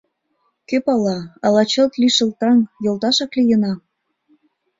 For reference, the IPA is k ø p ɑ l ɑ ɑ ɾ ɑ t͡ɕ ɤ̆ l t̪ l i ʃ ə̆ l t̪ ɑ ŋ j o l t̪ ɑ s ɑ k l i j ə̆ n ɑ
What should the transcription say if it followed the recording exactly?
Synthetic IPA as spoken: k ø p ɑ l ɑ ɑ l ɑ t͡ɕ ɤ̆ l t̪ l i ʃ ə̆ l t̪ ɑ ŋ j o l t̪ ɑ ʃ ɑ k l i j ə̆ n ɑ